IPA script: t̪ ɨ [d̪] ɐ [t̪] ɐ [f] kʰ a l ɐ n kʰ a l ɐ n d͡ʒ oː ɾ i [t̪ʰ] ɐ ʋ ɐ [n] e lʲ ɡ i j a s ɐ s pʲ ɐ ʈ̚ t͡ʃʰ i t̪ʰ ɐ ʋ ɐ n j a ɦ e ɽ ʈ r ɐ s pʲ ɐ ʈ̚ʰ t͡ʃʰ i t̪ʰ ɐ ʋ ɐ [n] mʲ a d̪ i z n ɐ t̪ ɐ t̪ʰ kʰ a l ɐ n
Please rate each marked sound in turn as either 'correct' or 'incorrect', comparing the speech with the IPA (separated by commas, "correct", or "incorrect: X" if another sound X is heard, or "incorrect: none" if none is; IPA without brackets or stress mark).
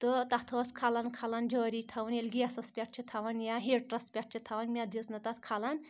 incorrect: t̪, incorrect: t̪ʰ, incorrect: s, correct, correct, correct